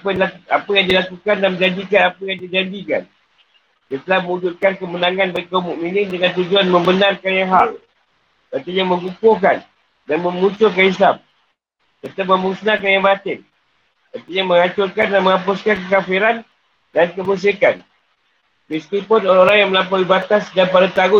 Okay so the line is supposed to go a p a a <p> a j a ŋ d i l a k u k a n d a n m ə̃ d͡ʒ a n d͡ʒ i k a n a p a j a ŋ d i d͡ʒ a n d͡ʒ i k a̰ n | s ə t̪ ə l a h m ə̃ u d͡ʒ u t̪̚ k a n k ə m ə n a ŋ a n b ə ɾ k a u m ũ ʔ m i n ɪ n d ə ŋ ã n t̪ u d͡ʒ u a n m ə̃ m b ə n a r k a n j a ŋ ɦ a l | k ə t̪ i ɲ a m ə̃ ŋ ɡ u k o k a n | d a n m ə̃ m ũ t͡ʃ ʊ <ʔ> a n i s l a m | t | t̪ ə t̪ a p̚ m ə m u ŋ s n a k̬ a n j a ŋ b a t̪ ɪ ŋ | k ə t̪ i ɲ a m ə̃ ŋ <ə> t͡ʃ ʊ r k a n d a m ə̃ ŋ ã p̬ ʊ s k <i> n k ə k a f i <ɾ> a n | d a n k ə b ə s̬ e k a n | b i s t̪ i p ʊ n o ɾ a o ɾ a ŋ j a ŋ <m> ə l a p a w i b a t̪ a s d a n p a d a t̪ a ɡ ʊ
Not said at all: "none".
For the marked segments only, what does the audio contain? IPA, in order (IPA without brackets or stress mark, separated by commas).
p, k, a, a, ɾ, m